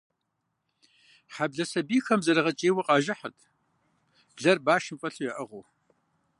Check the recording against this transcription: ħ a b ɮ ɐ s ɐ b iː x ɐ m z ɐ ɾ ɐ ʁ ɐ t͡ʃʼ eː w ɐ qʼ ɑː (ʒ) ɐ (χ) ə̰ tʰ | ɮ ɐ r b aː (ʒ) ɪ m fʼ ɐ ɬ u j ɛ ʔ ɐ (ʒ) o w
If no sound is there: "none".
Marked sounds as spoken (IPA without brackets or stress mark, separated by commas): ʒ, ħ, ʃ, ʁ